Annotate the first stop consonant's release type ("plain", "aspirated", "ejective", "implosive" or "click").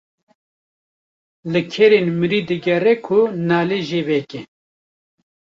aspirated